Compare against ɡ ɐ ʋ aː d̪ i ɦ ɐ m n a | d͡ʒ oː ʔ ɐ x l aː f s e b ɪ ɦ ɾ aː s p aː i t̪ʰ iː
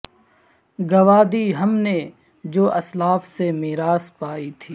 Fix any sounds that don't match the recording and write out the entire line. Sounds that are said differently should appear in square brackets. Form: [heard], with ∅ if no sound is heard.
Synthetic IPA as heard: ɡ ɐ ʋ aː d̪ i ɦ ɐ m n [e] | d͡ʒ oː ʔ ɐ [s] l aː f s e [m] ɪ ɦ ɾ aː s p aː i t̪ʰ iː